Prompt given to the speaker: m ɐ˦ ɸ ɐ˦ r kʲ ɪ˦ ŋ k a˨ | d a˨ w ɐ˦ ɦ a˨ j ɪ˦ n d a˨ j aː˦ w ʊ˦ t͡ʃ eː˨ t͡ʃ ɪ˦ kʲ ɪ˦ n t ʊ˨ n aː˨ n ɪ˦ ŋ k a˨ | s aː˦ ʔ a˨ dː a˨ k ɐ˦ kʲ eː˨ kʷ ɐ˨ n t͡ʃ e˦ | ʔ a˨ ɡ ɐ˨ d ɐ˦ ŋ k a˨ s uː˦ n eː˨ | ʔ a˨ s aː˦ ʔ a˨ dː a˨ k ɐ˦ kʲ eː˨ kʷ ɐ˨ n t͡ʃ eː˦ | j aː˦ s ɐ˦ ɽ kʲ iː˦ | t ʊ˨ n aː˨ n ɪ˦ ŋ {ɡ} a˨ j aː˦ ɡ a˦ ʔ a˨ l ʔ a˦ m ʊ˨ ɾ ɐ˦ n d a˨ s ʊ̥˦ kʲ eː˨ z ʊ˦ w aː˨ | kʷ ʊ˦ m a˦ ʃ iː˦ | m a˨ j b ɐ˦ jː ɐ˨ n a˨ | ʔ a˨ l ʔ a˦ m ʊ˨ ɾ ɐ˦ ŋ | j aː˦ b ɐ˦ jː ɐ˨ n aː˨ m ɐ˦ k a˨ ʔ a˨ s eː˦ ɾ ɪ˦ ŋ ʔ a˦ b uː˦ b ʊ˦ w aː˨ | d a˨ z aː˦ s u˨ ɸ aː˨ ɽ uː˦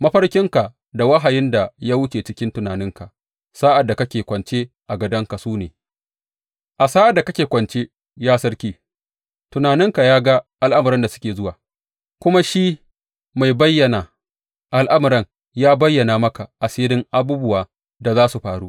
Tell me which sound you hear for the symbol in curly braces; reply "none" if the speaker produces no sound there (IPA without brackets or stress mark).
k